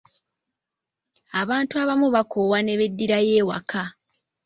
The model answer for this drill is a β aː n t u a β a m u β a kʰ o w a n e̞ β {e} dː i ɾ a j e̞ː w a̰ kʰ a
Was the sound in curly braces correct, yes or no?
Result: yes